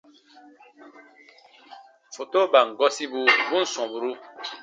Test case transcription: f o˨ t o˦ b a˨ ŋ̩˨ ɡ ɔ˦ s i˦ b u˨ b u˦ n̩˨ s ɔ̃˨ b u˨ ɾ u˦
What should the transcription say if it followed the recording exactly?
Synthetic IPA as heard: f o˨ t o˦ b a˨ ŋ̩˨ ɡ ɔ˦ s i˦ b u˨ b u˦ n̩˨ s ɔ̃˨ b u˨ ɾ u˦